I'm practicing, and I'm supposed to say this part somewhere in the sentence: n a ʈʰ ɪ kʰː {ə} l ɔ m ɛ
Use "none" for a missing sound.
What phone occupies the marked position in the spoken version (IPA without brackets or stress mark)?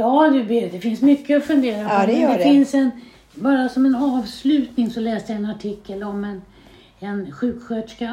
ə